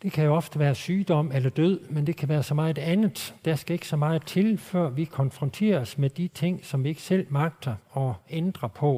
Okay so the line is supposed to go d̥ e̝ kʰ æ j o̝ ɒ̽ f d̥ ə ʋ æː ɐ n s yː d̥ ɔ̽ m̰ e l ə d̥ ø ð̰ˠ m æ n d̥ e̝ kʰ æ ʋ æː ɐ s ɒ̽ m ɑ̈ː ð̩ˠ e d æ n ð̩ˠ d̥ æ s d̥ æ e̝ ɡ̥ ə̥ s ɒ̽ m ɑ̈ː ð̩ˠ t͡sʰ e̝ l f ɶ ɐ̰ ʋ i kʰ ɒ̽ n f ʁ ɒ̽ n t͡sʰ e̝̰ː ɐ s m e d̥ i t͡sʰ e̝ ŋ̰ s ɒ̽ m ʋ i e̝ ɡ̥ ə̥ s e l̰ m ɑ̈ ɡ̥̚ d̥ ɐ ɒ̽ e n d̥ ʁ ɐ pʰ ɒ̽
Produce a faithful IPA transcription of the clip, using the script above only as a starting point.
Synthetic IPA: d̥ e̝ kʰ æ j o̝ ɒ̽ f d̥ ə ʋ æː ɐ s yː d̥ ɒ̽ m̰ e l ɐ d̥ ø ð̰ˠ m e n d̥ e̝ kʰ æ ʋ æː ɐ s ɒ̽ m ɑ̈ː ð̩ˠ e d æ n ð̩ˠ d̥ æ s ɡ̥ æ e̝ ɡ̥ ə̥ s ɒ̽ m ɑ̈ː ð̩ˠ t͡sʰ e̝ l f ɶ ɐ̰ ʋ i kʰ ɒ̽ n f ʁ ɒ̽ n t͡sʰ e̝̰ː ɐ s m e d̥ i t͡sʰ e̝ ŋ̰ s ɒ̽ m ʋ i e̝ ɡ̥ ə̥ s e l̰ m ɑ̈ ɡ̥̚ d̥ ɐ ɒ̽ e n d̥ ʁ ɐ pʰ ɒ̽